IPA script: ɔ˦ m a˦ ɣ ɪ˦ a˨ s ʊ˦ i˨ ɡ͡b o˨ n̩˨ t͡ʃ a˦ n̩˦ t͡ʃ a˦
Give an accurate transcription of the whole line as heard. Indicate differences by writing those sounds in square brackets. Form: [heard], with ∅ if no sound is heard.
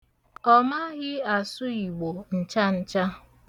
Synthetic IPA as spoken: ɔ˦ m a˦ ɣ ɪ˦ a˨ s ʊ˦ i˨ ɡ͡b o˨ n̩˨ t͡ʃ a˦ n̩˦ t͡ʃ a˦